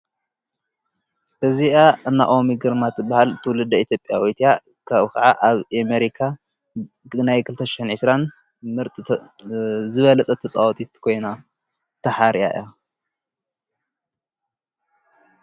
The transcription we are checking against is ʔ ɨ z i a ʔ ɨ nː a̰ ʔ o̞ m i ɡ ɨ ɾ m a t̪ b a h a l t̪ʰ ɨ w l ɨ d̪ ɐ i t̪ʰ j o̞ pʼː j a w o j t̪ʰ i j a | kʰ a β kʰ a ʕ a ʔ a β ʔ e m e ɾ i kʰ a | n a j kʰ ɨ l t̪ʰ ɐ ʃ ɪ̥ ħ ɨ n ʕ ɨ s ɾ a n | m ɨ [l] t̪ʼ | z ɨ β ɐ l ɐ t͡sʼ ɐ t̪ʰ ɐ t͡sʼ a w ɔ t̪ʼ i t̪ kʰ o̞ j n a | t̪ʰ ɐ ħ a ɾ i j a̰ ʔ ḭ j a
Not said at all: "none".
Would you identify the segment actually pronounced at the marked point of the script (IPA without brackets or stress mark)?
ɾ